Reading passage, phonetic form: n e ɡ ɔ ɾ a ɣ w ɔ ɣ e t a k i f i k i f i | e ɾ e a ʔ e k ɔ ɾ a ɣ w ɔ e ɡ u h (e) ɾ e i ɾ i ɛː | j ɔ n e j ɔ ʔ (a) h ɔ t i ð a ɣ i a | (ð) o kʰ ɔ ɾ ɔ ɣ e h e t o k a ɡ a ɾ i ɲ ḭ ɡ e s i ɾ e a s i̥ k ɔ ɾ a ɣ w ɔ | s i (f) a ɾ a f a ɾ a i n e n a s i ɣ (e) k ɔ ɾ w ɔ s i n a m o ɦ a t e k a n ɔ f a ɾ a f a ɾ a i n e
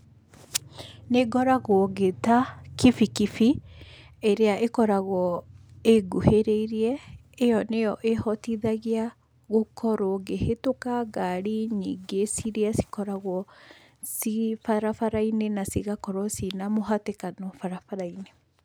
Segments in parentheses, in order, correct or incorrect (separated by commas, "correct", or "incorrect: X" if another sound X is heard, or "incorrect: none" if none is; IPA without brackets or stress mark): correct, incorrect: e, incorrect: ɣ, correct, incorrect: a